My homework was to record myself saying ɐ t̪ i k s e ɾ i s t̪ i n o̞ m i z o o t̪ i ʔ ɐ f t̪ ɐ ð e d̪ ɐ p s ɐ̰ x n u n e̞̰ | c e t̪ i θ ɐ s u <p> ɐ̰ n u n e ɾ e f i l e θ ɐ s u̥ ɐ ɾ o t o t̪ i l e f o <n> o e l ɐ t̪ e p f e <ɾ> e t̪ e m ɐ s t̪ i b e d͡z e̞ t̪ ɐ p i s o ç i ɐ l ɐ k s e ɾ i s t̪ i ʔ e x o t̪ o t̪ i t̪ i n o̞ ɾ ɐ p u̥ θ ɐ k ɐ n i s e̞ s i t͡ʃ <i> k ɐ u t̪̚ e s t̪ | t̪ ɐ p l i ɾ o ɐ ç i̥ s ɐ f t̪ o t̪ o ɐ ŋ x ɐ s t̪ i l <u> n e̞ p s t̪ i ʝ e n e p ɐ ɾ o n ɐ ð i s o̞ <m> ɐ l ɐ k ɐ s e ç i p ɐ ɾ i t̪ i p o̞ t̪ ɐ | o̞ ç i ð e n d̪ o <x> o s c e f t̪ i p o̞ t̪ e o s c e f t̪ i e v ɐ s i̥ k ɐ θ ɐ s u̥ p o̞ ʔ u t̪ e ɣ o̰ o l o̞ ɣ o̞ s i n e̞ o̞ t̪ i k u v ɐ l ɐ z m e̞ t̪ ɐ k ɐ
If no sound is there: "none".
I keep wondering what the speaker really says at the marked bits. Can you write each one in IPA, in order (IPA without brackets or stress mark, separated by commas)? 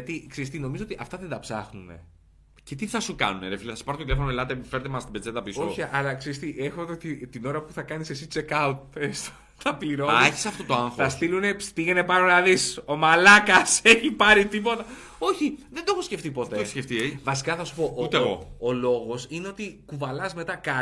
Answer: k, n, ɾ, e, u, m, x